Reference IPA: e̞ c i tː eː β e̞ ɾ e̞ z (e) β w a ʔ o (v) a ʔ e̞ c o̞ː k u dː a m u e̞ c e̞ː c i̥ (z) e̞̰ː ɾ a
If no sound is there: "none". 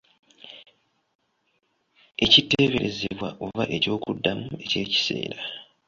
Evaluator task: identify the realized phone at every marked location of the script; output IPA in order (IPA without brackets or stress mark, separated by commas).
e, v, s